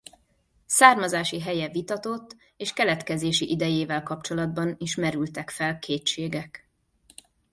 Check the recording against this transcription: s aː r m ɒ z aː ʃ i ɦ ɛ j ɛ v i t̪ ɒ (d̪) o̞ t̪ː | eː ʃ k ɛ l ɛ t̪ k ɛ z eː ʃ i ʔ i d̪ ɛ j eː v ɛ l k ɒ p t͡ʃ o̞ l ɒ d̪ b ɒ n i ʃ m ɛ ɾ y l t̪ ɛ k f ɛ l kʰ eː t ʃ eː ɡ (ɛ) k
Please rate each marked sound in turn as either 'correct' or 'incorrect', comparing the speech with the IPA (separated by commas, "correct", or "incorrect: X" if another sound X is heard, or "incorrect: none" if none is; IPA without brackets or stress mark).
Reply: incorrect: t̪, correct